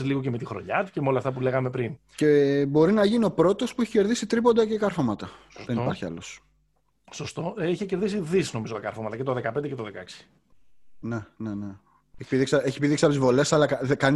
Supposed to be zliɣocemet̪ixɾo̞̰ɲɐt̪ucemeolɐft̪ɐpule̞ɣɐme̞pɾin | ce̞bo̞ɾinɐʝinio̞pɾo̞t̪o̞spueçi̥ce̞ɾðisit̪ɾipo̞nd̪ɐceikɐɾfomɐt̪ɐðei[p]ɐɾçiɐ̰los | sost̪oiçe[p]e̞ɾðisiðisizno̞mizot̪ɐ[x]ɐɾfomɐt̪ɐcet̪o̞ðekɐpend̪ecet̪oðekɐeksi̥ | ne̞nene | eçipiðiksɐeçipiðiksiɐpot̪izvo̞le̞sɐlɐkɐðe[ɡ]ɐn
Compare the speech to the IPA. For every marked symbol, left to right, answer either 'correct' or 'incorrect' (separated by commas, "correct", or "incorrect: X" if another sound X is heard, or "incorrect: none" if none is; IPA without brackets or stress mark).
correct, incorrect: c, incorrect: k, incorrect: k